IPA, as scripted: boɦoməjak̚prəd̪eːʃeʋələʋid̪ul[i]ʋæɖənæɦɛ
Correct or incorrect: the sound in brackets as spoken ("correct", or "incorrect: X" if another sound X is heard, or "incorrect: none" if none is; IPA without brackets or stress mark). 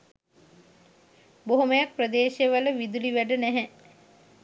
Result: correct